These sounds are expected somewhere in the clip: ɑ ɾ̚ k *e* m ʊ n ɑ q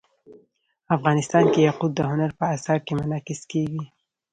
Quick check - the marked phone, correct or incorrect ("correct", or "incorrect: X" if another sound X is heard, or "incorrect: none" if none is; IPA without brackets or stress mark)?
correct